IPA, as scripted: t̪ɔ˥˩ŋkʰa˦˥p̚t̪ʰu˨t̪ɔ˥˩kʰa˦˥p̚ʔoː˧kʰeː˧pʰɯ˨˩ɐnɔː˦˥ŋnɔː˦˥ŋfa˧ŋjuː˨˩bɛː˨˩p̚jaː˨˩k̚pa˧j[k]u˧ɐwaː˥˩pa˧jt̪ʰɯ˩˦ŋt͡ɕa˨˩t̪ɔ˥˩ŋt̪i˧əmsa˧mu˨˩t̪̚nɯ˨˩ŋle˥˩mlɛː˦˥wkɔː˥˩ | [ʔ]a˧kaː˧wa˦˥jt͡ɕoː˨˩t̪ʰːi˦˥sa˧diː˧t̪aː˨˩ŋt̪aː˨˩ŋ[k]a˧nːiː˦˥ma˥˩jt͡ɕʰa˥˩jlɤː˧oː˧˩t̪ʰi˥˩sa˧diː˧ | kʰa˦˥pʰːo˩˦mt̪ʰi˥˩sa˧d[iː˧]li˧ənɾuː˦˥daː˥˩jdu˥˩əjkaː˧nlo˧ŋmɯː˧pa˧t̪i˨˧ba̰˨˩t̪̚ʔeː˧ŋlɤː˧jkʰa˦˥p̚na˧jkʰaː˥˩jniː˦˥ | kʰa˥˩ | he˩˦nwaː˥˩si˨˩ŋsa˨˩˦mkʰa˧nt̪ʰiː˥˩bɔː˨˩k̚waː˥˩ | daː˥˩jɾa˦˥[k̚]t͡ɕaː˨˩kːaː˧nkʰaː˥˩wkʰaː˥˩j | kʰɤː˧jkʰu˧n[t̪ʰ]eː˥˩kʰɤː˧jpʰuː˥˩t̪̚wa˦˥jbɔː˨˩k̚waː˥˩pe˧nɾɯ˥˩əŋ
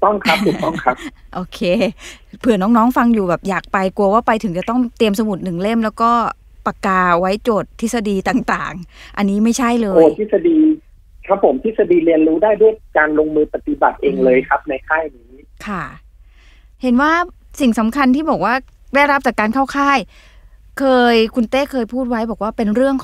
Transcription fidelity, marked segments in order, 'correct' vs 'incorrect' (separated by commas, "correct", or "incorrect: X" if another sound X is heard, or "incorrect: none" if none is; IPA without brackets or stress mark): correct, incorrect: p, incorrect: ʔ, correct, incorrect: p̚, incorrect: t̪